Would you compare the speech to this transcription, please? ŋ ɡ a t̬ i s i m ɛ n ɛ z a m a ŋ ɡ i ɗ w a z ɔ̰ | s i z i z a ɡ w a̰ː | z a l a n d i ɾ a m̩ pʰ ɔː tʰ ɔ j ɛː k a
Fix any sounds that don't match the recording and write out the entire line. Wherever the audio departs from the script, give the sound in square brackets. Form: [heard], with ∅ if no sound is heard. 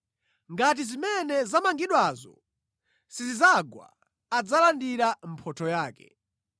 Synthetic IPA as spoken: ŋ ɡ a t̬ i [z] i m ɛ n ɛ z a m a ŋ ɡ i ɗ w a z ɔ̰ | s i z i z a ɡ w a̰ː | [d͡z] a l a n d i ɾ a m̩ pʰ [ɔ] tʰ ɔ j [aː] k [ɛ]

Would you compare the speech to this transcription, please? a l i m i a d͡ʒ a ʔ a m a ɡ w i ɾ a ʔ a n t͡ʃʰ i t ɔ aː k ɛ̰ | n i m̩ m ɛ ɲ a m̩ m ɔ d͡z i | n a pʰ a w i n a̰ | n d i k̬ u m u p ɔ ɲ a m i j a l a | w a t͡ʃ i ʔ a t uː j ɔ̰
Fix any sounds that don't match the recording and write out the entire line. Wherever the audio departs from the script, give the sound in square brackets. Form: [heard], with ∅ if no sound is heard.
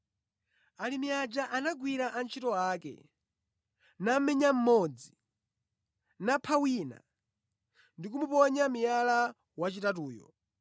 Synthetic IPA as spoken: a l i m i a d͡ʒ a ʔ a [n] a ɡ w i ɾ a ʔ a n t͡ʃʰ i t ɔ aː k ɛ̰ | n [a] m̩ m ɛ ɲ a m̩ m ɔ d͡z i | n a pʰ a w i n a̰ | n d i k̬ u m u p ɔ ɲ a m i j a l a | w a t͡ʃ i [t] a t uː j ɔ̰

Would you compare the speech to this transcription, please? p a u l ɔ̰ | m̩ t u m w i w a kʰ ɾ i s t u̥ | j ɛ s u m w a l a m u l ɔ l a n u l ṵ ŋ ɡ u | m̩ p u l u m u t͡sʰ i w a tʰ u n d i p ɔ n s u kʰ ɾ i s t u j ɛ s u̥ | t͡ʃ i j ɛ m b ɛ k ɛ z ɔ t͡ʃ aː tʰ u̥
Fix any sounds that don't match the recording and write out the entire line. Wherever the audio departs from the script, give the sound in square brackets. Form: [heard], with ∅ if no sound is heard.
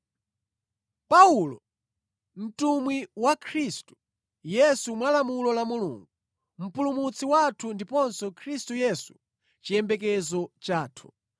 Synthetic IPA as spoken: p a u l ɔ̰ | m̩ t u m w i w a kʰ ɾ i s t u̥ | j ɛ s u m w a l a m u l ɔ l a [m] u l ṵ ŋ ɡ u | m̩ p u l u m u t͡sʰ i w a tʰ u n d i p ɔ n s [ɔ] kʰ ɾ i s t u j ɛ s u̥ | t͡ʃ i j ɛ m b ɛ k ɛ z ɔ t͡ʃ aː tʰ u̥

